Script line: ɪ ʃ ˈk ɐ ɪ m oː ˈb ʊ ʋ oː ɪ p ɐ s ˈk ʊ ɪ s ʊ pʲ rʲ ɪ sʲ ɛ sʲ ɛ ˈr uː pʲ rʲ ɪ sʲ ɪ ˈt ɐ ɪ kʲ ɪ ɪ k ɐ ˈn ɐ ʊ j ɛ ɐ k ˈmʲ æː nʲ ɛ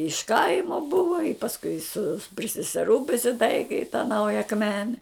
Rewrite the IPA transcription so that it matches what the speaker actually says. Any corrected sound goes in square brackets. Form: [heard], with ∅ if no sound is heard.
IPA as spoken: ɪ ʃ ˈk ɐ ɪ m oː ˈb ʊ ʋ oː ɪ p ɐ s ˈk ʊ ɪ s ʊ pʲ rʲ ɪ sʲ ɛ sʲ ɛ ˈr uː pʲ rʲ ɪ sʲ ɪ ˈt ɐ ɪ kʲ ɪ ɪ [t] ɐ ˈn ɐ ʊ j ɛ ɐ k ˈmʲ æː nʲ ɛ

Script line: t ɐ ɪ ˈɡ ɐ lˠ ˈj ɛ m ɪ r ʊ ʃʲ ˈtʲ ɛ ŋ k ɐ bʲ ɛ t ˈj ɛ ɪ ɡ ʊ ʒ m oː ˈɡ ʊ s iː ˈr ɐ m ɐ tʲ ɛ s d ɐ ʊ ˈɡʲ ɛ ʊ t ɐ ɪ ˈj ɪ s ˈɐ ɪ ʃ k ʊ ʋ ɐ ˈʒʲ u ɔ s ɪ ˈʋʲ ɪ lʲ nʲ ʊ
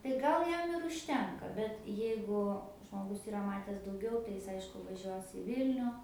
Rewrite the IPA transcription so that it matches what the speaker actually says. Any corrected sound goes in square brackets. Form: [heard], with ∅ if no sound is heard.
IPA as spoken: t ɐ ɪ ˈɡ ɐ lˠ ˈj ɛ m ɪ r ʊ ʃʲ ˈtʲ ɛ ŋ k ɐ bʲ ɛ t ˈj ɛ ɪ ɡ ʊ ʒ m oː ˈɡ ʊ s iː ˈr ɐ m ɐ tʲ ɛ s d ɐ ʊ ˈɡʲ ɛ ʊ t ɐ ɪ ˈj ɪ s ˈɐ ɪ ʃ k ʊ ʋ ɐ ˈʒʲ u ɔ s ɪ ˈʋʲ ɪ lʲ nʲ ʊ

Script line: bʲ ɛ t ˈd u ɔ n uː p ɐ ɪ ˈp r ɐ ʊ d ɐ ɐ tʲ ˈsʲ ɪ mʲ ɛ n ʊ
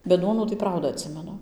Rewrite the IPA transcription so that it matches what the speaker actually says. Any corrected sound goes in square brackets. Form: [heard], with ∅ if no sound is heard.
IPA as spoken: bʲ ɛ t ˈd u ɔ n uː [t] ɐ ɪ ˈp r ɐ ʊ d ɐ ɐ tʲ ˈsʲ ɪ mʲ ɛ n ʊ

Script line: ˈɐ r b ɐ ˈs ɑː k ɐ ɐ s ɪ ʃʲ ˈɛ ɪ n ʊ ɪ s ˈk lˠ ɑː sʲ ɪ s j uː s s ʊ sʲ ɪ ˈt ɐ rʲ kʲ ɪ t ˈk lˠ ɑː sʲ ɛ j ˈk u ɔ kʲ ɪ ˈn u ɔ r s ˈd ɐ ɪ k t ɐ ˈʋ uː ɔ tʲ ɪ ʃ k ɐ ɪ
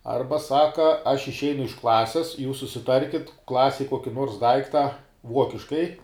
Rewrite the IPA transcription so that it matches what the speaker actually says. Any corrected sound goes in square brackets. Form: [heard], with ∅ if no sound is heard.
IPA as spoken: ˈɐ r b ɐ ˈs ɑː k ɐ ɐ [ʃ] ɪ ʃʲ ˈɛ ɪ n ʊ ɪ [ʃ] ˈk lˠ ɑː sʲ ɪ s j uː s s ʊ sʲ ɪ ˈt ɐ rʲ kʲ ɪ t ˈk lˠ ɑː sʲ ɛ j ˈk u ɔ kʲ ɪ ˈn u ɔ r s ˈd ɐ ɪ k t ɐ ˈʋ [u] ɔ [kʲ] ɪ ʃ k ɐ ɪ

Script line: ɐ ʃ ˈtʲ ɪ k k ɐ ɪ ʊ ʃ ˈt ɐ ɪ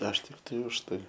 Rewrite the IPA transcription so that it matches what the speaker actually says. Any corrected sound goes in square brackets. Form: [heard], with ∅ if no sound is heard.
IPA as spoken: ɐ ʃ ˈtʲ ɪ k [t] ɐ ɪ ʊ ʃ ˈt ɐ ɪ

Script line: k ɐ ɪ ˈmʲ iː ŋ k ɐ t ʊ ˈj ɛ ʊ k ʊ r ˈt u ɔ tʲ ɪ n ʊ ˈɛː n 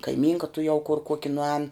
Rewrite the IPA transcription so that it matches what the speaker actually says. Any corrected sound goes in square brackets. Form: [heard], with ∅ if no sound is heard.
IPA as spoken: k ɐ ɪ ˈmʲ iː ŋ k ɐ t ʊ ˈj ɛ ʊ k ʊ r [ˈk] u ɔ [kʲ] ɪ n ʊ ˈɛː n

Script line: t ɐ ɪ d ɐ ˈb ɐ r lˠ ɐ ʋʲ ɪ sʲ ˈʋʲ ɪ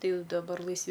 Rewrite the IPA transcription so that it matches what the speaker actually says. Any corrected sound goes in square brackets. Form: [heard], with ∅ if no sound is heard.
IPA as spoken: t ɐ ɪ d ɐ ˈb ɐ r lˠ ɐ [∅] ɪ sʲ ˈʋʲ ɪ

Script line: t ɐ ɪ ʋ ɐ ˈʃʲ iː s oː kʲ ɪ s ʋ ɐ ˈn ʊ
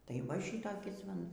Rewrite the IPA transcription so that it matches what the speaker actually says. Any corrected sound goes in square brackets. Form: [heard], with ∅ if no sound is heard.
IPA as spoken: t ɐ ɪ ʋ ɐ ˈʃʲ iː [t] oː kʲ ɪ s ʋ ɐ ˈn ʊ

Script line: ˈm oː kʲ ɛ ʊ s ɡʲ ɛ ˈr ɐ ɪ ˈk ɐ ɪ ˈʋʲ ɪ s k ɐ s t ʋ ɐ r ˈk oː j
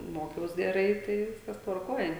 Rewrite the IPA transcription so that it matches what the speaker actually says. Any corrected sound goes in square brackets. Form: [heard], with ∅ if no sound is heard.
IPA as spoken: ˈm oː kʲ ɛ ʊ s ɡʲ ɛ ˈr ɐ ɪ [ˈt] ɐ ɪ ˈʋʲ ɪ s k ɐ s t ʋ ɐ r ˈk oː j

